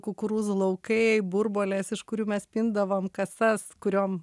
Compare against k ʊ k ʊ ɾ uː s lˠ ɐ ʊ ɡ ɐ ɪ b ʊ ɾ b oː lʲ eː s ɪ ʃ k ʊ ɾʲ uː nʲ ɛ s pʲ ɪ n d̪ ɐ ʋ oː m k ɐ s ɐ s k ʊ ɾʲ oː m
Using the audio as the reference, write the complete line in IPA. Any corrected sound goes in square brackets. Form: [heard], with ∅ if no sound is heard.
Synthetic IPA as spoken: k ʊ k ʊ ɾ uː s lˠ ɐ ʊ [k] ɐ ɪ b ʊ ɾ b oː lʲ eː s ɪ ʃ k ʊ ɾʲ uː [mʲ] ɛ s pʲ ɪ n d̪ ɐ ʋ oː m k ɐ s ɐ s k ʊ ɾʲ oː m